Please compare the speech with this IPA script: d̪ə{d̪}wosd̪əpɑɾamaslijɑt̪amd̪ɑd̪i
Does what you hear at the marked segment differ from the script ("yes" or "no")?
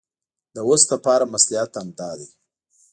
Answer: yes